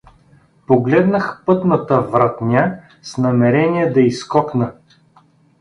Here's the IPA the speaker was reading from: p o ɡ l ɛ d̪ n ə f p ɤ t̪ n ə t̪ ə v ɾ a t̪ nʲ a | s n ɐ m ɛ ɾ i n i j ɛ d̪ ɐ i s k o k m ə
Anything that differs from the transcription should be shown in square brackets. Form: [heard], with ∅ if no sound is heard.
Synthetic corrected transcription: p o ɡ l ɛ d̪ n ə [x] p ɤ t̪ n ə t̪ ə v ɾ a t̪ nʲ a | s n ɐ m ɛ ɾ [ɛ] n i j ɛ d̪ ɐ i s k [ɔ] k [n] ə